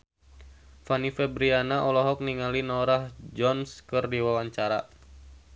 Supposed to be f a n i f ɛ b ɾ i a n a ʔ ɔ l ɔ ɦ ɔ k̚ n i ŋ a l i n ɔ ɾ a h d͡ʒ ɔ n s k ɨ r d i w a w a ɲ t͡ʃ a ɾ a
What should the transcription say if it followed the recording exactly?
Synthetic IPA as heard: f a n i f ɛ b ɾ i a n a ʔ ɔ l ɔ ɦ ɔ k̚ n i ŋ a l i n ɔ ɾ a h d͡ʒ ɔ n s k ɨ r d i w a w a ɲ t͡ʃ a ɾ a